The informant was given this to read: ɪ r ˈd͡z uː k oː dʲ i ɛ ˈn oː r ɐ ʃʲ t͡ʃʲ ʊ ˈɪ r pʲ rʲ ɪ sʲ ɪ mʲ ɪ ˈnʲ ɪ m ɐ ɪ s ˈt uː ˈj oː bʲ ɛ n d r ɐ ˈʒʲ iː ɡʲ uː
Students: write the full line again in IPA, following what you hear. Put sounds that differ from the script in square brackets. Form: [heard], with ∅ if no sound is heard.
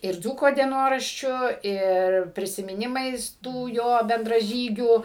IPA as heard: ɪ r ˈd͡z uː k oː dʲ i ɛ ˈn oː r ɐ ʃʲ t͡ʃʲ ʊ ˈɪ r pʲ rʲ ɪ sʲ ɪ mʲ ɪ ˈnʲ ɪ m ɐ ɪ s ˈt uː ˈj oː bʲ ɛ n d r ɐ ˈʒʲ iː ɡʲ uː